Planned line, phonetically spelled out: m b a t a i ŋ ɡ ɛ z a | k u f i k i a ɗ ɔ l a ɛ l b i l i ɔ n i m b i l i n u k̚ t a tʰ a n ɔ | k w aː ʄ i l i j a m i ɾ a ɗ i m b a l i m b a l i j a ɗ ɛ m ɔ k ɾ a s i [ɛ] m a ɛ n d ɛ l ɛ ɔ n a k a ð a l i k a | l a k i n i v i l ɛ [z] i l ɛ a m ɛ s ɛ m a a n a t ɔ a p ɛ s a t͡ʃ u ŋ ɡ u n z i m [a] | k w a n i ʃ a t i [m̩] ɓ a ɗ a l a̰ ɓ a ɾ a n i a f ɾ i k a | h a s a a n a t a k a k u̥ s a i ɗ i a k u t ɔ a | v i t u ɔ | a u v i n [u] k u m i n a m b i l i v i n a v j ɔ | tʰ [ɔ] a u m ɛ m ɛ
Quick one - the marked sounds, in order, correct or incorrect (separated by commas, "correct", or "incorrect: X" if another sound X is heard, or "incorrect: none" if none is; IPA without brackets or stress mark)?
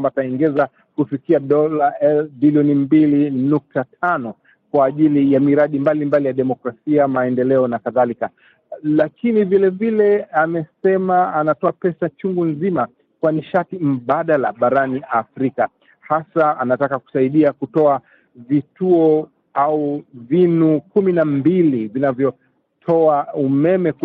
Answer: incorrect: a, incorrect: v, correct, correct, correct, correct